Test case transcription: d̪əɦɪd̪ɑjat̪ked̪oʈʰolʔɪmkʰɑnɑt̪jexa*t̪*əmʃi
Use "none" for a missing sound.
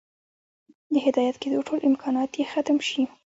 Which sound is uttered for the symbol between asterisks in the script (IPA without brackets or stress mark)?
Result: t̪